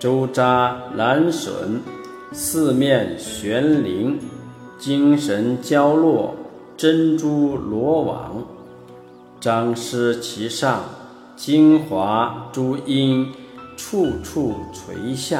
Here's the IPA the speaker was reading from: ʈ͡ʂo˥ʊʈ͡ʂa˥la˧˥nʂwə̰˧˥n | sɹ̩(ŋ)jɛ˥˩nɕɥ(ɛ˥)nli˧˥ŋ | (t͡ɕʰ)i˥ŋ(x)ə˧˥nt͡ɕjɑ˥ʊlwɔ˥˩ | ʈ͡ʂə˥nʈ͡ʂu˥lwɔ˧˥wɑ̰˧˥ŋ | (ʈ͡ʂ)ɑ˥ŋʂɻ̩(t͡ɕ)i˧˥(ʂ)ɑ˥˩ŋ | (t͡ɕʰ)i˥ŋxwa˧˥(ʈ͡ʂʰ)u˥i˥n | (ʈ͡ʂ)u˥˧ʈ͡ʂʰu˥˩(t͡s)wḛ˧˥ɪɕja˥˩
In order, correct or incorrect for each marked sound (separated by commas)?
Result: incorrect, incorrect, incorrect, incorrect, correct, incorrect, correct, incorrect, incorrect, incorrect, incorrect